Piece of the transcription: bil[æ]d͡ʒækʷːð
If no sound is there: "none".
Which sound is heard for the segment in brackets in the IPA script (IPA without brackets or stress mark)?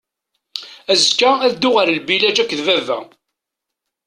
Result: æ